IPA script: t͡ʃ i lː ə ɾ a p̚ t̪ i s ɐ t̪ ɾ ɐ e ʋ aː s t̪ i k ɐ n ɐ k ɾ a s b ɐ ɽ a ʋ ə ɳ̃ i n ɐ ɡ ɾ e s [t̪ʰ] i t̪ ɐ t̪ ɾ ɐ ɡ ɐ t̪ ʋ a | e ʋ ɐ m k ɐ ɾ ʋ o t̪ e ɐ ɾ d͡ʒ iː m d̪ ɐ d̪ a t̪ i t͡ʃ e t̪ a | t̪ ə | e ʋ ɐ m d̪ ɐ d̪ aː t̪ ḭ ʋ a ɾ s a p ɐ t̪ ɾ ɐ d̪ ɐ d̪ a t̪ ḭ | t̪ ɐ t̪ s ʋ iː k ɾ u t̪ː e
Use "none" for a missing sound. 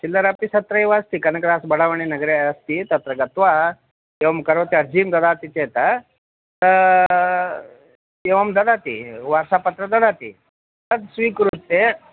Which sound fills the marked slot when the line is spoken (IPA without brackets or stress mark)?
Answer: t̪